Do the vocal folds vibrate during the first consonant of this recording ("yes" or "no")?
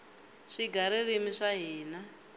no